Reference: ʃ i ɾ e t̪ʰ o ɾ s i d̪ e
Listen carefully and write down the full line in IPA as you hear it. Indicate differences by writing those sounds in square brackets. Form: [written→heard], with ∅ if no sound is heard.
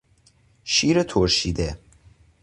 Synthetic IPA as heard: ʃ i ɾ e t̪ʰ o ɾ [s→ʃ] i d̪ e